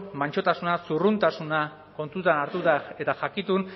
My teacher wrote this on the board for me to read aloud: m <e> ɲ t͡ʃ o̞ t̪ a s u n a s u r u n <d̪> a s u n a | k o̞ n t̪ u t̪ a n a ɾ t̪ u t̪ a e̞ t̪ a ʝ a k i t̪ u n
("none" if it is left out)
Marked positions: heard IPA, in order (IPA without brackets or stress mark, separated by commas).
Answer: a, t̪